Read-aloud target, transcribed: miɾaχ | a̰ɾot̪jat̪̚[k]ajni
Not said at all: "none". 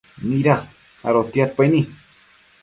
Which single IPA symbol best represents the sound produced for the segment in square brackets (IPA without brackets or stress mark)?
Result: p